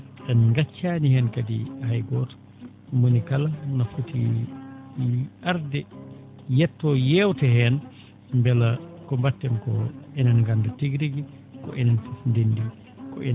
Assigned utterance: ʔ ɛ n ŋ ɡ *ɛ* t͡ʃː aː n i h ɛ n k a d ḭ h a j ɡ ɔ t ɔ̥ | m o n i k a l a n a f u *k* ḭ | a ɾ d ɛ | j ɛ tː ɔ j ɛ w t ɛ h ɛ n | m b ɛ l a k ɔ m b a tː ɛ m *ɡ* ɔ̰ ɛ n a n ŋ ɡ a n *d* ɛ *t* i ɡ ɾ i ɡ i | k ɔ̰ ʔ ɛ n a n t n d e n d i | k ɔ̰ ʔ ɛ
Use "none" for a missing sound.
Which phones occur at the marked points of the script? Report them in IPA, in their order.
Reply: a, t, k, d, t

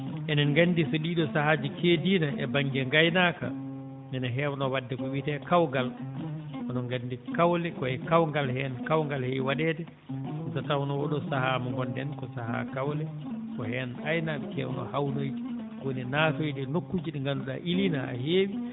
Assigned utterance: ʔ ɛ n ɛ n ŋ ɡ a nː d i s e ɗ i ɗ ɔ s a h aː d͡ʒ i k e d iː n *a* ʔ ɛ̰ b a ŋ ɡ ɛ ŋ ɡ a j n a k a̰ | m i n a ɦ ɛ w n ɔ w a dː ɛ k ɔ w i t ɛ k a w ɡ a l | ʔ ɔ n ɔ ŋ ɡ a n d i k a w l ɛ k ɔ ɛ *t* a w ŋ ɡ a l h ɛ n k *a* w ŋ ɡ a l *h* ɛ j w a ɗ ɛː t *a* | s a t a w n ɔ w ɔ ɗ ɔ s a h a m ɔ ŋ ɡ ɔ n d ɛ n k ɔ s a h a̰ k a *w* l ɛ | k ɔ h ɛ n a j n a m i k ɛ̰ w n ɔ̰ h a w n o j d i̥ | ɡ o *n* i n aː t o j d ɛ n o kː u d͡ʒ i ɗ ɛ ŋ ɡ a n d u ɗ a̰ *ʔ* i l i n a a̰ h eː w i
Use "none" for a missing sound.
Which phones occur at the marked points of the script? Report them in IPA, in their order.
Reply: a, k, a, h, ɛ, w, n, ʔ

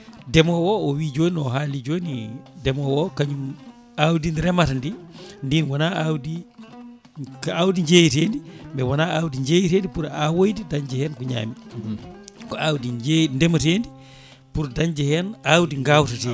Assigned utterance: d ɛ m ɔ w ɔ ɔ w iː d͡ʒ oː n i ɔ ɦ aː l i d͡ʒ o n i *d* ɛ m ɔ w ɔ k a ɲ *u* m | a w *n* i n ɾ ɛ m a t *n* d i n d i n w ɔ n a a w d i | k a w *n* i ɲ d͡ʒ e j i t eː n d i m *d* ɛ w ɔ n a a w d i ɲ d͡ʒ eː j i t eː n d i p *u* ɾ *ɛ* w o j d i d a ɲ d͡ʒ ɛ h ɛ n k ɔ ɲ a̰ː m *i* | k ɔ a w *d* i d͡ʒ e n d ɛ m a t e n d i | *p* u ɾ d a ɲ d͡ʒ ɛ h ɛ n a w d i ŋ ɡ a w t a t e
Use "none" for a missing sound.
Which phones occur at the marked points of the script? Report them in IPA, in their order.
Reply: d, u, d, n, d, b, u, a, i, d, p

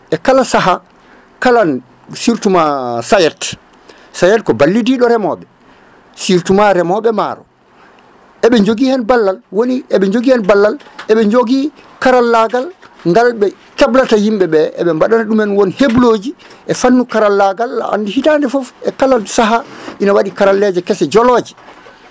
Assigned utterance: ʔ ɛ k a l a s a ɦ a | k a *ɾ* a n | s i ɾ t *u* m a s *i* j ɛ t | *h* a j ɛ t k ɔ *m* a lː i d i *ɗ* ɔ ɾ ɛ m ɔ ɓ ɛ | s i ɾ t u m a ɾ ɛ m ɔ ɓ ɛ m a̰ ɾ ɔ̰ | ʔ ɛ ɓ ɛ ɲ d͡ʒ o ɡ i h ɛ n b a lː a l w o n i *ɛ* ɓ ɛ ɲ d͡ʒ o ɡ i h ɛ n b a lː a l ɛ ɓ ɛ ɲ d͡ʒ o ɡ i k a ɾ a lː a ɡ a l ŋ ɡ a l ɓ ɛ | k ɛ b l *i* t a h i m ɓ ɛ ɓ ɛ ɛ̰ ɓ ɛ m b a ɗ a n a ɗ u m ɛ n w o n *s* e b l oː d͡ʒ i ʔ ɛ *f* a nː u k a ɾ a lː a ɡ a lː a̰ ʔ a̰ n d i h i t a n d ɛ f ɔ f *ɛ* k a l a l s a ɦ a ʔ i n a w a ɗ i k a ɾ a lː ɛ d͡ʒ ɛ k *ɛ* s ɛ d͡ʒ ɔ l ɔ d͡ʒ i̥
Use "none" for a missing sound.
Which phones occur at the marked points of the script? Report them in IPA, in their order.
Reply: l, u, a, s, b, ɗ, ɛ, a, h, f, ɛ, ɛ

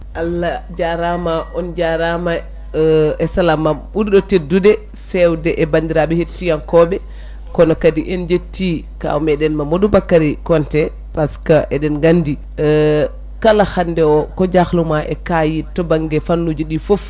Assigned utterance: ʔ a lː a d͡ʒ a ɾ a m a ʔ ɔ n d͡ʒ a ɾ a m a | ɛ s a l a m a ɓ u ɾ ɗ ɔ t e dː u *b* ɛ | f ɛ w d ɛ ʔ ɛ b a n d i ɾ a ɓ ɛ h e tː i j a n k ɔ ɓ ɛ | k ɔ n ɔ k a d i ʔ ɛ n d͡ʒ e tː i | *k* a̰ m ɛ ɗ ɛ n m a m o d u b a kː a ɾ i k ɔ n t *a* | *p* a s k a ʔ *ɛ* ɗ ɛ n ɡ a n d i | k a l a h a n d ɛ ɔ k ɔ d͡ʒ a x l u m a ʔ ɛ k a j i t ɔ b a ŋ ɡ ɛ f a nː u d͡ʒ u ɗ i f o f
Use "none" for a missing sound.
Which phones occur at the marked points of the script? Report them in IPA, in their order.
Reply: d, k, ɛ, p, ɛ

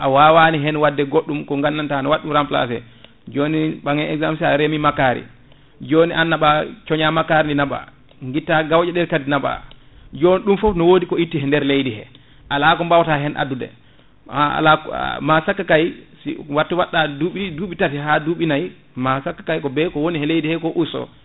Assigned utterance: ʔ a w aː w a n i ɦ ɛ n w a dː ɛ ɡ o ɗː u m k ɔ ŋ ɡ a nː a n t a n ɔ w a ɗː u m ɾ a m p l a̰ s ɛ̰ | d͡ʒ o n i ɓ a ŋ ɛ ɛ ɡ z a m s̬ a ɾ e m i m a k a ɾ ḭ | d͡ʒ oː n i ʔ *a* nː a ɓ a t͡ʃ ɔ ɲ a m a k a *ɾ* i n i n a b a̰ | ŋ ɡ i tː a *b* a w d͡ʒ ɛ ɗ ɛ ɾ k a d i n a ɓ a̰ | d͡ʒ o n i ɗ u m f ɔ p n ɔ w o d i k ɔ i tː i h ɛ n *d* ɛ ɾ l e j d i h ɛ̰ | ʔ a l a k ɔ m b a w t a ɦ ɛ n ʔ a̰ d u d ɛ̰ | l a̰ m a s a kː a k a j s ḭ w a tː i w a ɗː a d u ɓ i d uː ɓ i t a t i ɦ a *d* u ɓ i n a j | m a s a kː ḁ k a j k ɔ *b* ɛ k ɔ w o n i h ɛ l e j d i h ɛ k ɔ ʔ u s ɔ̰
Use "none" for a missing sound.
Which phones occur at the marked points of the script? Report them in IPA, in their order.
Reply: a, ɾ, ɡ, d, d, b

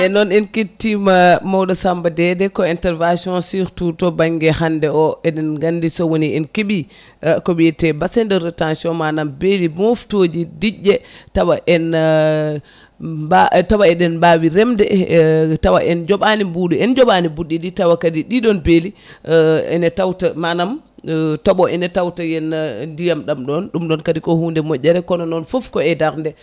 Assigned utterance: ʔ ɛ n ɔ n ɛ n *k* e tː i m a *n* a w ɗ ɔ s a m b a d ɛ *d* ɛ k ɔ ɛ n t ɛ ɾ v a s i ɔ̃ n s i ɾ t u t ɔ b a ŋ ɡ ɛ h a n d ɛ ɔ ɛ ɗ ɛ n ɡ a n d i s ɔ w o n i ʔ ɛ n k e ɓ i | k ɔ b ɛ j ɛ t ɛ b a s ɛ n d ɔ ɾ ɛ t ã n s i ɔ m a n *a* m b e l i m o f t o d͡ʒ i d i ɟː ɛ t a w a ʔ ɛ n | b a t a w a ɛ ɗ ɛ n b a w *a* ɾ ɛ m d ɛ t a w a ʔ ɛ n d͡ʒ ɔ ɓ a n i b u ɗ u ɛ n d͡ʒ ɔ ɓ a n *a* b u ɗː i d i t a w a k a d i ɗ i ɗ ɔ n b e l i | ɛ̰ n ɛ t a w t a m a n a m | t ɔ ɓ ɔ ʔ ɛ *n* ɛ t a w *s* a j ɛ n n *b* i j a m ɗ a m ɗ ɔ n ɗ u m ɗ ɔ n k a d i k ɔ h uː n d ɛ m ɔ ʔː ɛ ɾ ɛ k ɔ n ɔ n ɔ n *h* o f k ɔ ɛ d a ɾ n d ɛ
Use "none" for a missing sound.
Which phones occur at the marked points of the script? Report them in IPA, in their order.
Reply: k, m, d, a, i, i, n, t, d, f

